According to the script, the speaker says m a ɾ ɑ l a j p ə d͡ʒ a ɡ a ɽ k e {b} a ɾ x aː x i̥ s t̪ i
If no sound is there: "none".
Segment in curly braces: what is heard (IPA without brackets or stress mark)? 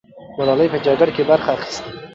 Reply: b